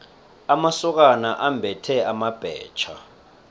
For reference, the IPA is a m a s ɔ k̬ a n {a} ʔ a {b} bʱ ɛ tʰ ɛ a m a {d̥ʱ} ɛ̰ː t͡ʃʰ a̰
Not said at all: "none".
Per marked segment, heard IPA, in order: a, m, b̥ʱ

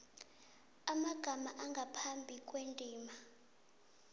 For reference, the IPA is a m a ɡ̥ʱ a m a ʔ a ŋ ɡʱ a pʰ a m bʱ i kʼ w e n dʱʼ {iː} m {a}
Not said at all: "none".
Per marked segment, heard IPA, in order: iː, a

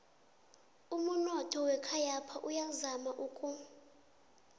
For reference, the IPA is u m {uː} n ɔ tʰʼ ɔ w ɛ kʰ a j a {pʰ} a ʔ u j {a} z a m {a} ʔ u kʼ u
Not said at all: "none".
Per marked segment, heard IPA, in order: u, pʰ, a, a

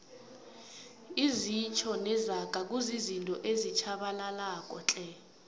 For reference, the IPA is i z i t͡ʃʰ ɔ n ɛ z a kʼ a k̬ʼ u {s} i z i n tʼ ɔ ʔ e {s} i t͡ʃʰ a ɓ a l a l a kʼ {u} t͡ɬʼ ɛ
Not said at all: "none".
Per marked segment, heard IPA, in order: z, z, ɔ

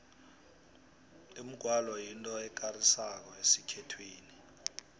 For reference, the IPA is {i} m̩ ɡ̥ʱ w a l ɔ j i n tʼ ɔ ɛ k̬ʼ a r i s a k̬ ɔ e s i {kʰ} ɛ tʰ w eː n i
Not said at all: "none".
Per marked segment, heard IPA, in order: i, kʰ

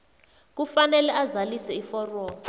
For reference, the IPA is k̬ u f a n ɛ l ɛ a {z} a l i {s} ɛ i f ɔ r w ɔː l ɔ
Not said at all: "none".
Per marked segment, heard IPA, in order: z, s

